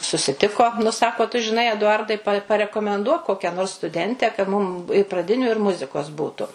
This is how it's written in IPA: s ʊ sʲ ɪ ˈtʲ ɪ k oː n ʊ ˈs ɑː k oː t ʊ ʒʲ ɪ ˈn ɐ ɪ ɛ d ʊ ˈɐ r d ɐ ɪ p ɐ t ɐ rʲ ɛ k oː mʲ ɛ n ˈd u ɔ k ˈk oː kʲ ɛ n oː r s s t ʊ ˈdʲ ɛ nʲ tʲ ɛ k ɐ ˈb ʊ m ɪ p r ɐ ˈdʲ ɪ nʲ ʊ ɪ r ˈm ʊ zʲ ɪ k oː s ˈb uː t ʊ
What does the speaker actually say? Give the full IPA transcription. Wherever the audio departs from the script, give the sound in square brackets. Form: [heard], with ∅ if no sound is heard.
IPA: s ʊ sʲ ɪ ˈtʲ ɪ k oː n ʊ ˈs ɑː k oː t ʊ ʒʲ ɪ ˈn ɐ ɪ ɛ d ʊ ˈɐ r d ɐ ɪ p ɐ [p] ɐ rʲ ɛ k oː mʲ ɛ n ˈd u ɔ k ˈk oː kʲ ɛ n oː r s s t ʊ ˈdʲ ɛ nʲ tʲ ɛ k ɐ [ˈm] ʊ m ɪ p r ɐ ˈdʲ ɪ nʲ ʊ ɪ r ˈm ʊ zʲ ɪ k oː s ˈb uː t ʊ